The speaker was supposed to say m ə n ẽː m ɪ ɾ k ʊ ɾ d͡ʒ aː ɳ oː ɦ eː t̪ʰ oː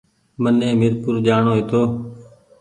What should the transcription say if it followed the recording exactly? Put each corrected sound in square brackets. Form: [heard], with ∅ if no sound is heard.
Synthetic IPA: m ə n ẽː m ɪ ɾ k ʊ ɾ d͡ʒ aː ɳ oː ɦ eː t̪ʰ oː